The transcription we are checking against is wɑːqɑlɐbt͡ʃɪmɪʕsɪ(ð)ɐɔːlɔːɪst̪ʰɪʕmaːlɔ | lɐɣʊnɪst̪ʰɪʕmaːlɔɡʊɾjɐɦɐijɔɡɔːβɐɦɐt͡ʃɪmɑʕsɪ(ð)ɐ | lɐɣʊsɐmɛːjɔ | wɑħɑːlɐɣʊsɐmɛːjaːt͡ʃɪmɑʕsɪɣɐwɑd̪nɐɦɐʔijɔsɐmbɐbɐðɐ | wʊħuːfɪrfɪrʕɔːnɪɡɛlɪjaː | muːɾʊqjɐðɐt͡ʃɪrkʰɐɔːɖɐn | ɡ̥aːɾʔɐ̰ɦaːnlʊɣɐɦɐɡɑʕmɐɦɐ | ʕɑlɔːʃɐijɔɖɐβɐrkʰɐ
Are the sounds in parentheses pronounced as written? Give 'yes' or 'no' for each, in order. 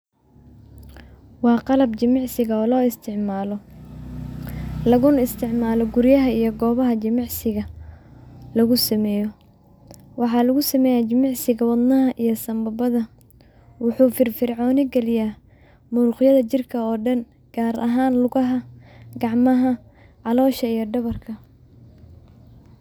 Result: no, no

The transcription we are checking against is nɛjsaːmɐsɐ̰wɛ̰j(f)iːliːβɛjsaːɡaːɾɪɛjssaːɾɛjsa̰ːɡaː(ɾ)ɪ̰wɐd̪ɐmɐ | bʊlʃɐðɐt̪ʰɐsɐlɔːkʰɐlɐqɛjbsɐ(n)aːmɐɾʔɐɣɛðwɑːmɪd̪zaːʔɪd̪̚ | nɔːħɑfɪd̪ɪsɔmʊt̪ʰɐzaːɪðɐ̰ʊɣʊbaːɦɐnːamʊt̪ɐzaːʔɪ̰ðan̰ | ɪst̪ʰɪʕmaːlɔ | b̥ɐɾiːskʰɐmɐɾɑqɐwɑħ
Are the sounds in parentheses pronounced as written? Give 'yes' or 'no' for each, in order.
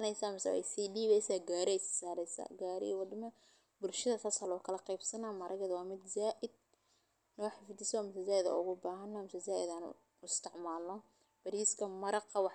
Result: no, yes, yes

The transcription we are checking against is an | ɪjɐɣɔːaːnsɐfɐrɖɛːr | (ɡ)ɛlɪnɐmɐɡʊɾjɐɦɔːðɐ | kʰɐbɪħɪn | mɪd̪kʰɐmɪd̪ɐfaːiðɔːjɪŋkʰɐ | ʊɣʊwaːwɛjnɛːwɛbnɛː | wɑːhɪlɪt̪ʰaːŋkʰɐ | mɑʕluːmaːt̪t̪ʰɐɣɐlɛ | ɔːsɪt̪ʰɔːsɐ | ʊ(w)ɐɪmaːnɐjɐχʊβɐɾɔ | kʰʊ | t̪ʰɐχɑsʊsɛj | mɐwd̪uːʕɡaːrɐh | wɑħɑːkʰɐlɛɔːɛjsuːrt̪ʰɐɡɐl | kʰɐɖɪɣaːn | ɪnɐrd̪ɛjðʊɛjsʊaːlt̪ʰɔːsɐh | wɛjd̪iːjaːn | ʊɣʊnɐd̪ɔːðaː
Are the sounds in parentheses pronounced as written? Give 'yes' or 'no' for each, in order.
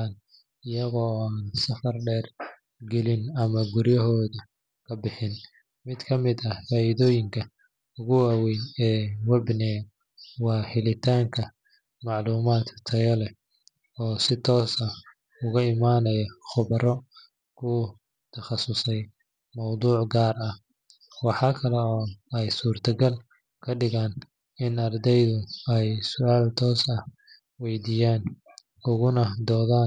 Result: yes, no

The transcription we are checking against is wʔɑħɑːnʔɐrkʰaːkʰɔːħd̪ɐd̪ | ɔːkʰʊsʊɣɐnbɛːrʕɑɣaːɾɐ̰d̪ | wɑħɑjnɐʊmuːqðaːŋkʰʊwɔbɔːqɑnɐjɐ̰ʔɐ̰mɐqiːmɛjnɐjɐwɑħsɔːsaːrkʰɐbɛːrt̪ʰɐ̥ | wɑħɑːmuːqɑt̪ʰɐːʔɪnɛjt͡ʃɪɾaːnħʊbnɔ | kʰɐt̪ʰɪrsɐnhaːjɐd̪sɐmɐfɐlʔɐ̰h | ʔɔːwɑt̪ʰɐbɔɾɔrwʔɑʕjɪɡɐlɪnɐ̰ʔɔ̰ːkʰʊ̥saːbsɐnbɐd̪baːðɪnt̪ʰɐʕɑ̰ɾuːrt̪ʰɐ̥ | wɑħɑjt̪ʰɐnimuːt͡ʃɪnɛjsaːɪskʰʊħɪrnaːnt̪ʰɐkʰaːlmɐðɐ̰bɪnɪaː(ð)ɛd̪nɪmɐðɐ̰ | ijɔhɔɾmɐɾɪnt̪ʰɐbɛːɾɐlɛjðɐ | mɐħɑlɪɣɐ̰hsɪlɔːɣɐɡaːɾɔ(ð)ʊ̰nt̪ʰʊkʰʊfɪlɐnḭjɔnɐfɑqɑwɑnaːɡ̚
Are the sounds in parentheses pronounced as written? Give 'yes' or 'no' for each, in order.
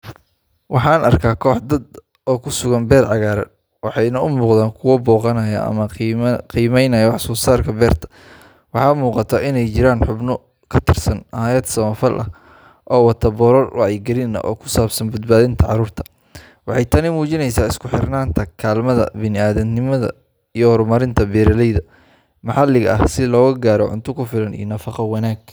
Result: yes, no

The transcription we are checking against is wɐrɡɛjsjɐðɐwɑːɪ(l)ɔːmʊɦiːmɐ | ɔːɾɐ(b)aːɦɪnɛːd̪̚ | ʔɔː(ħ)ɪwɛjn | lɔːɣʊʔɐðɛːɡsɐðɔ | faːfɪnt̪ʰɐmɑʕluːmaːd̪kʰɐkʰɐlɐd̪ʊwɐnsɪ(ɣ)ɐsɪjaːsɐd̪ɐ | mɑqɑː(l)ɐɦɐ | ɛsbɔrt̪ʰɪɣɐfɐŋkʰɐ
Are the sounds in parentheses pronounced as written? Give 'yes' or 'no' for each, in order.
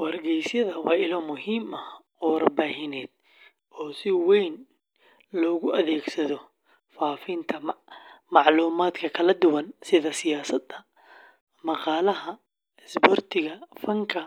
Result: yes, yes, no, no, yes

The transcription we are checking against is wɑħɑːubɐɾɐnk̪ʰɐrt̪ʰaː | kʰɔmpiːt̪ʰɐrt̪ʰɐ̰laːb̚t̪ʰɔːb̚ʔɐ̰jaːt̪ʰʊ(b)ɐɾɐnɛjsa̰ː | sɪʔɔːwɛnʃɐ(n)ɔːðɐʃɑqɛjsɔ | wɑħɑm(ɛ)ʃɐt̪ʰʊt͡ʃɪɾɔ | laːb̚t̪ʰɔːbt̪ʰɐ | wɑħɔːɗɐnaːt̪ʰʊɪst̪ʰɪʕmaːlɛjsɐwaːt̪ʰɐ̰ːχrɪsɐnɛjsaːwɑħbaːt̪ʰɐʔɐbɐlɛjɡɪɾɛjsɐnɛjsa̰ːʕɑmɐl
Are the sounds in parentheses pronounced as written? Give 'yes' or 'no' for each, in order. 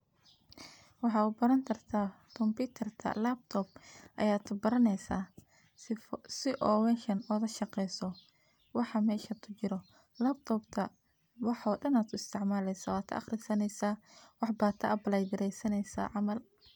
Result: yes, yes, no

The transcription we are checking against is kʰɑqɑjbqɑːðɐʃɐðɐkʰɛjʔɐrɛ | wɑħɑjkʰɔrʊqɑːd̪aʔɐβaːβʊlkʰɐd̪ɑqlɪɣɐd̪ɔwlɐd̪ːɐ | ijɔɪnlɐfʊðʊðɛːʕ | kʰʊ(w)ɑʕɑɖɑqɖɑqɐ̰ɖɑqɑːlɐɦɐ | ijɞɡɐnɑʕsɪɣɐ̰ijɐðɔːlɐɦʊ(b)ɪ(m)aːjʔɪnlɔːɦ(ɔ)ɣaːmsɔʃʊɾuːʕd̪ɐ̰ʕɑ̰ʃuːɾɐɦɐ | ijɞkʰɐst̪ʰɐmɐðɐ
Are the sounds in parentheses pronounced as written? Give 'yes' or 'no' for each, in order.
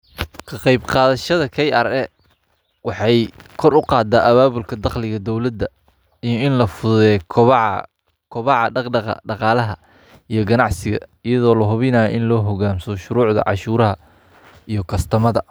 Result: no, no, no, yes

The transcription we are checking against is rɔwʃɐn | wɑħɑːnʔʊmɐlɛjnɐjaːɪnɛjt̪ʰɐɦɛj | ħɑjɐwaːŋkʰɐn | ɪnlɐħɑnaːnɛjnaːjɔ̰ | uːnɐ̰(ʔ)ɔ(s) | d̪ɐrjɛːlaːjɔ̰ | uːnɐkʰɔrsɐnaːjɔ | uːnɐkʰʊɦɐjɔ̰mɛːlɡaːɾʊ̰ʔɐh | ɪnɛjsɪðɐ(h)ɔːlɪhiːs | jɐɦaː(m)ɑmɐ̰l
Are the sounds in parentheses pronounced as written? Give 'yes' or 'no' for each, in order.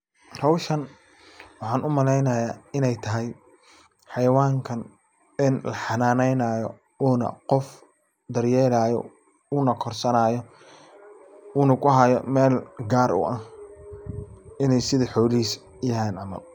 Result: no, no, no, no

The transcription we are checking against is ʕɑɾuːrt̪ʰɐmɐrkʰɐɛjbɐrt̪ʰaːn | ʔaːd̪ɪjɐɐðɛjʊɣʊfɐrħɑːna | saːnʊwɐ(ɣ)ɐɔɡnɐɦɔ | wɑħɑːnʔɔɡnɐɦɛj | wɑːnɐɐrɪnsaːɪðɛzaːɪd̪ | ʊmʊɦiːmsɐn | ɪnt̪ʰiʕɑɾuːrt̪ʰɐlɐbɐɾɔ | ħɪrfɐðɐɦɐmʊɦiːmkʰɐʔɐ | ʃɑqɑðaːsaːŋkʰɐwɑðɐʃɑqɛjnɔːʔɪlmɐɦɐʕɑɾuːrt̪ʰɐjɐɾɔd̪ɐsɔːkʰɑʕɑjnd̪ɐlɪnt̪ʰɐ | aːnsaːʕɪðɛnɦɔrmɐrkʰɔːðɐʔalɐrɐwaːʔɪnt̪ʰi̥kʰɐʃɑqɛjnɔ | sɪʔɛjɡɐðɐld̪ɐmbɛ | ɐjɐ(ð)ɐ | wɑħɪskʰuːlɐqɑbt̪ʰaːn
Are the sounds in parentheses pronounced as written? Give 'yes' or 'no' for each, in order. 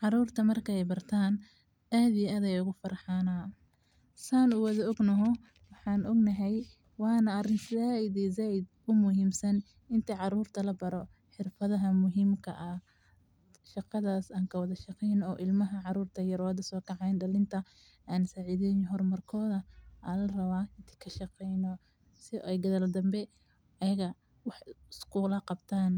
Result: no, no

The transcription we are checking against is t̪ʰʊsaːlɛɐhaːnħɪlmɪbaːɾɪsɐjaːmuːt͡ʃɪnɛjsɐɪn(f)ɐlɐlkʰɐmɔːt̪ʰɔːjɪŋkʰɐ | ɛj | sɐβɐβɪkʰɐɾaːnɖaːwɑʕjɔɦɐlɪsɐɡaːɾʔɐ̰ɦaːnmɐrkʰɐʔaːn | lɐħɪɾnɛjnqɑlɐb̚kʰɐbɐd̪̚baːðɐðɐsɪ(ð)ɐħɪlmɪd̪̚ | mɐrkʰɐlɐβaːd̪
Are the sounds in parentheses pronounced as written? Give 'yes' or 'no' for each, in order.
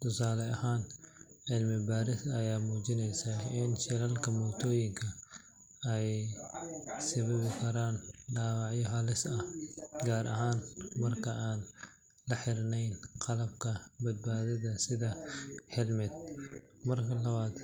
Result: no, yes

